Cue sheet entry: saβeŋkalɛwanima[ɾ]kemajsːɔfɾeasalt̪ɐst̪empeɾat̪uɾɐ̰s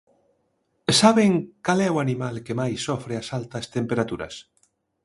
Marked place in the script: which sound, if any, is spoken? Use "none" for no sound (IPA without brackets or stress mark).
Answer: l